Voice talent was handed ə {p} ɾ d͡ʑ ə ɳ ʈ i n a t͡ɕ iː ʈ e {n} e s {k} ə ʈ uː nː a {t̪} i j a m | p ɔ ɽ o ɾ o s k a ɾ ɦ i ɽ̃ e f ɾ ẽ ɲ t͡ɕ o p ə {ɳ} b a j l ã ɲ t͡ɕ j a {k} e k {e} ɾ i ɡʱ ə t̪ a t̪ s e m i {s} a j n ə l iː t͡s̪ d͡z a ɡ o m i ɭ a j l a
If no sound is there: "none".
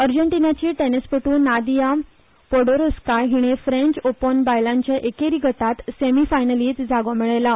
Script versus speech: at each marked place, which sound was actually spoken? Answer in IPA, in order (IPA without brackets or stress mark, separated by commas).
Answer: none, n, p, d̪, n, ʔ, e, f